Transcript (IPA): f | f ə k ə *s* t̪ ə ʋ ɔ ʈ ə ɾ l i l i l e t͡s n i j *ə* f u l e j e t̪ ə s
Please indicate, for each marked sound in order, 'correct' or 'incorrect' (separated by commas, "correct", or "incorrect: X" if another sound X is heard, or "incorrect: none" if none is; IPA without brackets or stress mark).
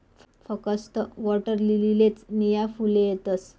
correct, incorrect: a